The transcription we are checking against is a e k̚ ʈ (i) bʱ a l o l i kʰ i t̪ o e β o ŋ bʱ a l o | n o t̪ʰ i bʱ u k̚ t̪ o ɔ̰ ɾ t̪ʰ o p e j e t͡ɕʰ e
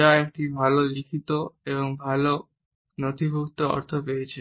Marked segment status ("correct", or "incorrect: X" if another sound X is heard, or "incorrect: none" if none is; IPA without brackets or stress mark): correct